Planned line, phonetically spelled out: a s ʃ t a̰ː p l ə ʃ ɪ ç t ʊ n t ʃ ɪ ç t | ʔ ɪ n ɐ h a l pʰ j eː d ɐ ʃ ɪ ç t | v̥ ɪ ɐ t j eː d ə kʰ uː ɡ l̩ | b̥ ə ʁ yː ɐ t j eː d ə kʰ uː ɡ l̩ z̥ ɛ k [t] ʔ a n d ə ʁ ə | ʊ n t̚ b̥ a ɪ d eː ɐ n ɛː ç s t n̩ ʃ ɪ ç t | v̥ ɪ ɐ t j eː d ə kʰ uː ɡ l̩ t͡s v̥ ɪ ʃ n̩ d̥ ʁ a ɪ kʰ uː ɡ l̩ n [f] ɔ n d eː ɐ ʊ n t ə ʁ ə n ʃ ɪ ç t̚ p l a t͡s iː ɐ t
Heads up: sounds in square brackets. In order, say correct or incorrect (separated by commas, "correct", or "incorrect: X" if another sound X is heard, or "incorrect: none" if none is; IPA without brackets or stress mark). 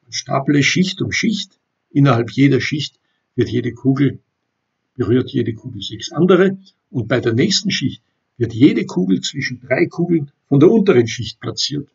incorrect: s, correct